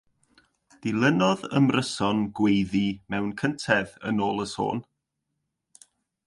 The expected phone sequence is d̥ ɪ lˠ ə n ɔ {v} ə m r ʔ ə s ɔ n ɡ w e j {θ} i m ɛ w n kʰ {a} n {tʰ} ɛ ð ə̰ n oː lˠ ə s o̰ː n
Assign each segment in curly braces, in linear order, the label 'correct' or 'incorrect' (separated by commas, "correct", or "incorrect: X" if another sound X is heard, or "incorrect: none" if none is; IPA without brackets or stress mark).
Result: incorrect: ð, incorrect: ð, incorrect: ə, correct